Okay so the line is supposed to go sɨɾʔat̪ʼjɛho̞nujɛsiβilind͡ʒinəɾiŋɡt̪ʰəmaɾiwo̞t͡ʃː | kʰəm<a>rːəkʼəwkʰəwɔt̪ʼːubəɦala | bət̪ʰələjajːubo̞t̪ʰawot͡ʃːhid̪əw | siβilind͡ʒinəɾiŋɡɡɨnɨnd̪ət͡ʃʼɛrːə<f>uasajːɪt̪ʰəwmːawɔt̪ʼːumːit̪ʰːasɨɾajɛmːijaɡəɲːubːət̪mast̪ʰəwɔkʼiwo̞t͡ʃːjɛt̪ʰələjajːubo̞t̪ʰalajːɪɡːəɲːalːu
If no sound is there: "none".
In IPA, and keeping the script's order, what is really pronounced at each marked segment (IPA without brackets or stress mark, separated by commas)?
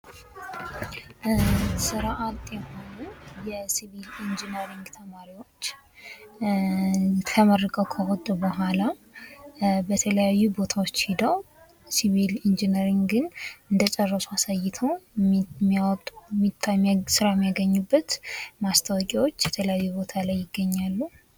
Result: ə, s